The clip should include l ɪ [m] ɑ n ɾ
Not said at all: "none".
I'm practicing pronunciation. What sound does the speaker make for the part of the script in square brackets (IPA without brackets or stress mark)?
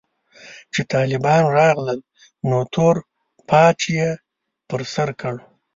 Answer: b